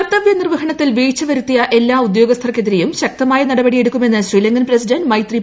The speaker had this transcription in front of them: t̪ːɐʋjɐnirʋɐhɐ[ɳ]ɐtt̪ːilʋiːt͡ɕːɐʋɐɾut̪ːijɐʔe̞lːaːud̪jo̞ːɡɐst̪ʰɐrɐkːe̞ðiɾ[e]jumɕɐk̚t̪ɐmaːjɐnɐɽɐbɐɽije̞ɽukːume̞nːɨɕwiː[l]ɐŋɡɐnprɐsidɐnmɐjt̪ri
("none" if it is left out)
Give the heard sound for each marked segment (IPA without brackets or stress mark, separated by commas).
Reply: ɳ, e, l